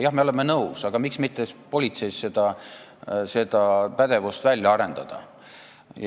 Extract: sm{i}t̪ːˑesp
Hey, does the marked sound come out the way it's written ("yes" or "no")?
yes